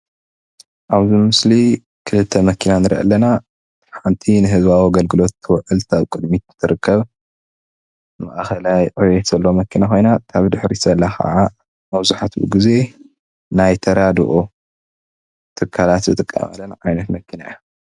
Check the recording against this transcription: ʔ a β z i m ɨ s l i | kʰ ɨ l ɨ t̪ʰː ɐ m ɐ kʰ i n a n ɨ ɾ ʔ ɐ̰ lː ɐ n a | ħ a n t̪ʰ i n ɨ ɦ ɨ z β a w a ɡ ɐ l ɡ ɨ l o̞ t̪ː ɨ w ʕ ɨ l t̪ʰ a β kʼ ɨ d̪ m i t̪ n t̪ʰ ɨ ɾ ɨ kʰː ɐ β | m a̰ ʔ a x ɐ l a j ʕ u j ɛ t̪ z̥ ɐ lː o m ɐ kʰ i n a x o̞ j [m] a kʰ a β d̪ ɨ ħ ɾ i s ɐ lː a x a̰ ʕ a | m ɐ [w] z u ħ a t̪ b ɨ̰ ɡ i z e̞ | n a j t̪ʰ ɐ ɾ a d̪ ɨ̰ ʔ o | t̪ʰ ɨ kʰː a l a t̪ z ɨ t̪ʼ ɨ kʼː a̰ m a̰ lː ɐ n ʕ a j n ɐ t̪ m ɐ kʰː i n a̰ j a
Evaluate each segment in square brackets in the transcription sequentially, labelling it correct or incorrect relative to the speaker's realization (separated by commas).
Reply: incorrect, incorrect